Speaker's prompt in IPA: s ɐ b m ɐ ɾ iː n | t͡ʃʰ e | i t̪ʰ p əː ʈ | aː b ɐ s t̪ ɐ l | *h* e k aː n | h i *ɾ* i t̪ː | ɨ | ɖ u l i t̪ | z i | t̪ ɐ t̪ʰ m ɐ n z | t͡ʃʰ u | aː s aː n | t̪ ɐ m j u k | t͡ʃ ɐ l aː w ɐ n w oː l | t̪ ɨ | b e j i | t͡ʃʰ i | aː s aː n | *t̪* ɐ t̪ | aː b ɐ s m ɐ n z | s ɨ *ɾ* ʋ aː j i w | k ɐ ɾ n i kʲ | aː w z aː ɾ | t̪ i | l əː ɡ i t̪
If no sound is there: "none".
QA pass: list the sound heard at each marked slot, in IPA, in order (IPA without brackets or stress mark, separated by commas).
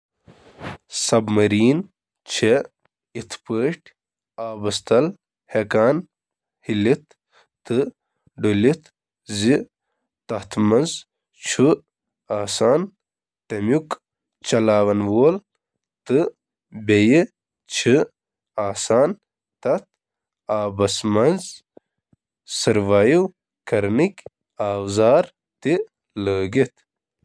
h, l, t̪, ɾ